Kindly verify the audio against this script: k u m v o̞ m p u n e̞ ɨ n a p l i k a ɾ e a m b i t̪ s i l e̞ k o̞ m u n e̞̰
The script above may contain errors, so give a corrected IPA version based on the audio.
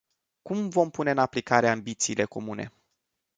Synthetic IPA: k u m v o̞ m p u n e̞ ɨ n a p l i k a ɾ e a m b i t̪ s iː l e̞ k o̞ m u n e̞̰